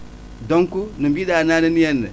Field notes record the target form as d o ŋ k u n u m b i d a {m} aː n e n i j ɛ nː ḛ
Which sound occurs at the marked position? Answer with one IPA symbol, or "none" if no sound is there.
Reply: n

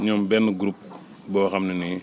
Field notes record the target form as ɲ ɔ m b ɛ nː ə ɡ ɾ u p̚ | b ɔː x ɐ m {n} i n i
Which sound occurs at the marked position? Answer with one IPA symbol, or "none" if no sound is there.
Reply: n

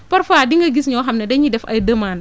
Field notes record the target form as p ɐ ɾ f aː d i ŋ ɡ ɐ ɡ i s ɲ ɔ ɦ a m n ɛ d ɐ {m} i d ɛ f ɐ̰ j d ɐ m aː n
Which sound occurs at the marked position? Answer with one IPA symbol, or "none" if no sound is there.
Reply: ɲ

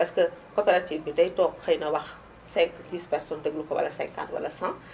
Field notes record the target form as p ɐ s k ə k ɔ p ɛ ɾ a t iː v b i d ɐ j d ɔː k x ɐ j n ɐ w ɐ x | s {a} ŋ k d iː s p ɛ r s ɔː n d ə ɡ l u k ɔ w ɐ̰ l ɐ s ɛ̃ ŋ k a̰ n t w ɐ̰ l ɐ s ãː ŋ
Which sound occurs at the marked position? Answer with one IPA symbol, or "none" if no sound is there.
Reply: ɛ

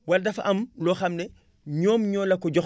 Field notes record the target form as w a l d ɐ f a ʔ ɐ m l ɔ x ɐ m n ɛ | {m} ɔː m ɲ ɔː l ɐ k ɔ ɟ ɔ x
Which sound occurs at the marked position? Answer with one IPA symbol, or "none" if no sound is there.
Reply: ɲ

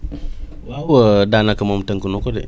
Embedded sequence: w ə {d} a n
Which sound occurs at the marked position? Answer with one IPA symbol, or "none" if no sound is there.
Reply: d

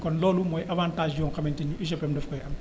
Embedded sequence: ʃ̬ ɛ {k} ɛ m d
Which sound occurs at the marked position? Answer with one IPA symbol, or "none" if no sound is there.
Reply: p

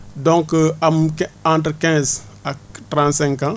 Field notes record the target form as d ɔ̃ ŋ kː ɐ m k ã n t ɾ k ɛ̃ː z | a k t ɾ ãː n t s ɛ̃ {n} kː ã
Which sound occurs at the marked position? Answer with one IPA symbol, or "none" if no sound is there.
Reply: ŋ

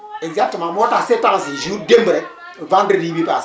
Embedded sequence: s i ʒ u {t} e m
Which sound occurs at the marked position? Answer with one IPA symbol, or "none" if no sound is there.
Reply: d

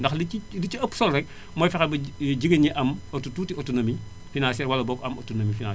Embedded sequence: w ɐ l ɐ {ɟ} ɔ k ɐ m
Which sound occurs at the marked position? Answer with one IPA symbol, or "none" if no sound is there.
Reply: b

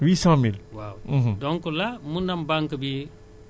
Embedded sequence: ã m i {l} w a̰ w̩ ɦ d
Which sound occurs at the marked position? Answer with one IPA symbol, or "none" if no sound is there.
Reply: l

